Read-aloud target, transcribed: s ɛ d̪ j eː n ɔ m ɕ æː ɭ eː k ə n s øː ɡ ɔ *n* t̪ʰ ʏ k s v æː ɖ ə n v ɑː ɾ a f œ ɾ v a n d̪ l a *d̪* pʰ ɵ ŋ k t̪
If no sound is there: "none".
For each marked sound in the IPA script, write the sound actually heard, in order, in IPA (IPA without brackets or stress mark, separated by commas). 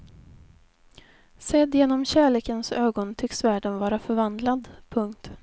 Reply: n, d̪